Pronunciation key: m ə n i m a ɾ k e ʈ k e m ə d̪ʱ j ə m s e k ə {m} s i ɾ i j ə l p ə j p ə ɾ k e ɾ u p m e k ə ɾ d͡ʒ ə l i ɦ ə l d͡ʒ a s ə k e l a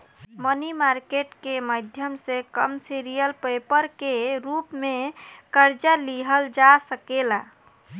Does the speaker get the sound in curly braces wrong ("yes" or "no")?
no